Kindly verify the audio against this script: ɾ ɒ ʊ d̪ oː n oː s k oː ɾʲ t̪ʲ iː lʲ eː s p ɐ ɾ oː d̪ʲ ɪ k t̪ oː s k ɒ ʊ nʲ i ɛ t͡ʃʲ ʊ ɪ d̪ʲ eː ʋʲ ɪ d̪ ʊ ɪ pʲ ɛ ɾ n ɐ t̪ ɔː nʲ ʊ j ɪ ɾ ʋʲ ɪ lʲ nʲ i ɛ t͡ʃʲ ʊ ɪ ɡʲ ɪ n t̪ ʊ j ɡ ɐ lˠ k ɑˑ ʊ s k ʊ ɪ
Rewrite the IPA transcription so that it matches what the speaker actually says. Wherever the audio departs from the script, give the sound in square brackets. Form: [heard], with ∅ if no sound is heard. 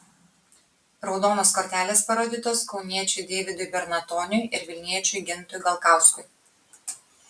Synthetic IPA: ɾ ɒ ʊ d̪ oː n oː s k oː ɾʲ t̪ʲ [æː] lʲ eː s p ɐ ɾ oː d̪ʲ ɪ [∅] t̪ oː s k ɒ ʊ nʲ i ɛ t͡ʃʲ ʊ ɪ d̪ʲ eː ʋʲ ɪ d̪ ʊ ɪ [bʲ] ɛ ɾ n ɐ t̪ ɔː nʲ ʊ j ɪ ɾ ʋʲ ɪ lʲ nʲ i ɛ t͡ʃʲ ʊ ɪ ɡʲ ɪ n t̪ ʊ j ɡ ɐ lˠ k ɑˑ ʊ s k ʊ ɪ